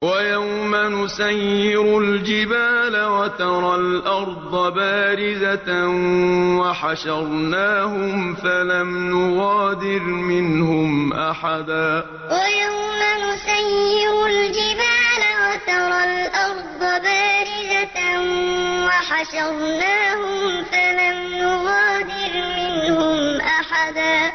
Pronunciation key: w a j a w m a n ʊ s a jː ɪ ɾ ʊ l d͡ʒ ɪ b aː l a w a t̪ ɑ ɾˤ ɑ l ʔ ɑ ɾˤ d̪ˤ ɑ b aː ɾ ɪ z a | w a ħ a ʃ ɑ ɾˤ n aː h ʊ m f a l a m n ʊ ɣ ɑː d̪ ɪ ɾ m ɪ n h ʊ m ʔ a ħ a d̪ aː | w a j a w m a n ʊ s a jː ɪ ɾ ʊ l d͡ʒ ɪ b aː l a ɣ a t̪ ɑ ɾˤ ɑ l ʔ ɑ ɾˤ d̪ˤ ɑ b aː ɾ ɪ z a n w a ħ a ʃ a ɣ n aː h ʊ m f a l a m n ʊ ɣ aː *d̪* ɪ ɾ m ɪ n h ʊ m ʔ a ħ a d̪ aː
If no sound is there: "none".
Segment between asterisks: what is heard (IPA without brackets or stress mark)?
d̪